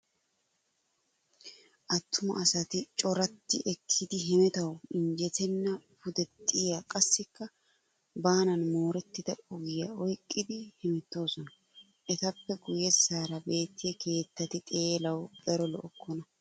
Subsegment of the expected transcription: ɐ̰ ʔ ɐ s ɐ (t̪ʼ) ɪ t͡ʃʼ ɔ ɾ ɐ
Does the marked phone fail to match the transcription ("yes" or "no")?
yes